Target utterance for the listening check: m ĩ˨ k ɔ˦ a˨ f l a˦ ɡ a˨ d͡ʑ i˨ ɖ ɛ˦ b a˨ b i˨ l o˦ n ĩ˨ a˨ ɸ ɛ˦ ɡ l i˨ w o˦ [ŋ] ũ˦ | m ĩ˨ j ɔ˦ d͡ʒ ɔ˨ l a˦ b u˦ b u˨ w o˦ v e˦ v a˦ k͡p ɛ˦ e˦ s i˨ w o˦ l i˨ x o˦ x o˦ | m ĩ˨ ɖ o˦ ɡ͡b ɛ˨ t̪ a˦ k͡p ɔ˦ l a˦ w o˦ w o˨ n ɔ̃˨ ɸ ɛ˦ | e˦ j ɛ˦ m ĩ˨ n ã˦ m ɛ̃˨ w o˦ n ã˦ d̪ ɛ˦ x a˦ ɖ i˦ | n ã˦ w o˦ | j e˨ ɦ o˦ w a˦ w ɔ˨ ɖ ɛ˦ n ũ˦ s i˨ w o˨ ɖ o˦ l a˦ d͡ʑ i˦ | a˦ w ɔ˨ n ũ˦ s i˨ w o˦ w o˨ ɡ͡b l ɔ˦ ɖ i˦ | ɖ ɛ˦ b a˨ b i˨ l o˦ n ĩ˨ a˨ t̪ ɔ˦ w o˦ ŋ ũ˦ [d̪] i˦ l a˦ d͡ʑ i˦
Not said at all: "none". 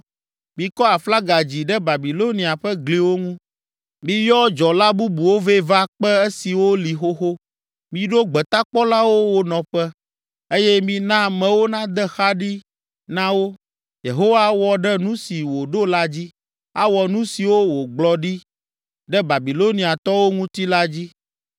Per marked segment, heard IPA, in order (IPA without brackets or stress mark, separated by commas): ŋ, t̪